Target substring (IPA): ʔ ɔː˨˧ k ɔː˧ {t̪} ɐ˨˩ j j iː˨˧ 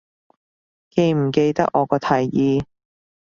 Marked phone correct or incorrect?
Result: incorrect